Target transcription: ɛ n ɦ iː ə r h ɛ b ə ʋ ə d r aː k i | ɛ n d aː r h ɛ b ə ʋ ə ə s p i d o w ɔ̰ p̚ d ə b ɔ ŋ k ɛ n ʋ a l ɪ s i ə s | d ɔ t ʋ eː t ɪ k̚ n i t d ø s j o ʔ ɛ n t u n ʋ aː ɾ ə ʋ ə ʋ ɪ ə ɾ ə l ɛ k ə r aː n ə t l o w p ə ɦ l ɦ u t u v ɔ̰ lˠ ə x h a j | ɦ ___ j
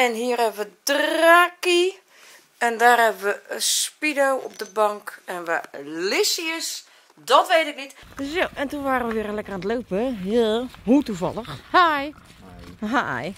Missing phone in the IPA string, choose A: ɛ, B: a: B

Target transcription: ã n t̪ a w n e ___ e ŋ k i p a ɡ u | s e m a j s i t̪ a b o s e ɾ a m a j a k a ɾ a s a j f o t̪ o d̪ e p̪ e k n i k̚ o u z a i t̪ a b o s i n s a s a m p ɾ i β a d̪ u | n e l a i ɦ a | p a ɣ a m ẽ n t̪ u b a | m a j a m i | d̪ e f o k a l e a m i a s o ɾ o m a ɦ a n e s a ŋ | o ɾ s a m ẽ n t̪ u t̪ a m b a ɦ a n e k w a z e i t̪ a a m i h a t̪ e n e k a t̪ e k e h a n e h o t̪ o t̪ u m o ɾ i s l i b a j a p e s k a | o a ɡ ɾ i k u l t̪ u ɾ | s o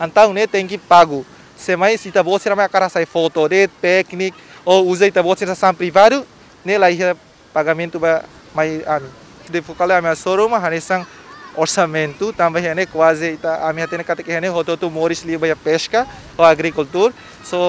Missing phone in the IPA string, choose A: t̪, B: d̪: A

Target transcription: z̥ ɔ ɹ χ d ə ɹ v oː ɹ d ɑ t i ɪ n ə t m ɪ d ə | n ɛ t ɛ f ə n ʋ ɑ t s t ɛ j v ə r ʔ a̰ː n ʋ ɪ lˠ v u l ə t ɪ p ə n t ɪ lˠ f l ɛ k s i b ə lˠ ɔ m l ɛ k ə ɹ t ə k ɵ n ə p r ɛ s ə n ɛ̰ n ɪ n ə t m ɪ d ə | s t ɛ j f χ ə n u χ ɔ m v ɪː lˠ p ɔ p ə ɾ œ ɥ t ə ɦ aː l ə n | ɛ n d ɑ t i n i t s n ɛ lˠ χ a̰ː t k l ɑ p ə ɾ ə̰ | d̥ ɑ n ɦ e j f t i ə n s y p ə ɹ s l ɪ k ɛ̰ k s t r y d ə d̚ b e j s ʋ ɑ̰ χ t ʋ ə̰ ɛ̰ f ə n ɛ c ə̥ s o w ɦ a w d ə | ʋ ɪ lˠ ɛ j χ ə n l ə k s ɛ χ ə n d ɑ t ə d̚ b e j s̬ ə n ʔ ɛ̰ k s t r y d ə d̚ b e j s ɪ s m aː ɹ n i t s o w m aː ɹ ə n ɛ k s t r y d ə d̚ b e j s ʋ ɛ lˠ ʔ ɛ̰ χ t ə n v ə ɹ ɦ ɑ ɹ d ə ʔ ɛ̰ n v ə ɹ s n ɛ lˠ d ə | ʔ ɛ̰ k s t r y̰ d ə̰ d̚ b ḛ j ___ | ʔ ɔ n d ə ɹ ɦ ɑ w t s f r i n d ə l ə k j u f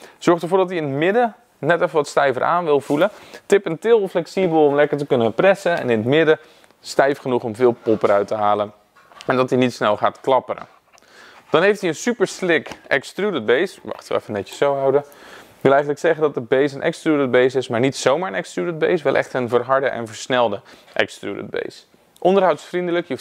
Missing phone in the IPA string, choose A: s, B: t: A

